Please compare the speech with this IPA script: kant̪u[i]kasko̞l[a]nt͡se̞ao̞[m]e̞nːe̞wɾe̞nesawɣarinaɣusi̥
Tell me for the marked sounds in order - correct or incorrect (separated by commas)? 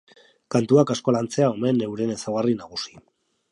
incorrect, correct, correct